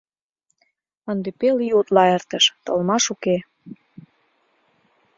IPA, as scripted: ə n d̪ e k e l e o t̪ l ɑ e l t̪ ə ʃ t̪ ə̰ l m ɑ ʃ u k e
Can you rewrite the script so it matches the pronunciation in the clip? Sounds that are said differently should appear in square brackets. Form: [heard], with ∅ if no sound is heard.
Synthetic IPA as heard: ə n d̪ e [p] e l [i] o t̪ l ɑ e [r] t̪ ə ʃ t̪ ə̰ l m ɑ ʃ u k e